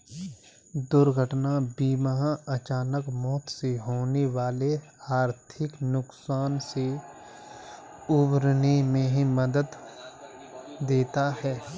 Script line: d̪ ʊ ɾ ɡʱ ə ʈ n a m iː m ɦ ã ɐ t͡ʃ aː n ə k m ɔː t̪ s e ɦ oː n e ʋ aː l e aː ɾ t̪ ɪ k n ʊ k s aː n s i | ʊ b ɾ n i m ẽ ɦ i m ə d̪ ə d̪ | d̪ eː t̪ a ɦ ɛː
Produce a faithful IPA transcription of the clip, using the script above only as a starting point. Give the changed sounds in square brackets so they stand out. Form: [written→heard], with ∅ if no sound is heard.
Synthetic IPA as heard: d̪ ʊ ɾ ɡʱ ə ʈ n a [m→b] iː m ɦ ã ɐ t͡ʃ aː n ə k m ɔː t̪ s e ɦ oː n e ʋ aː l e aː ɾ [t̪→t̪ʰ] ɪ k n ʊ k s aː n s [i→e] | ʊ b ɾ n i m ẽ ɦ i m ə d̪ ə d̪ | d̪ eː t̪ a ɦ ɛː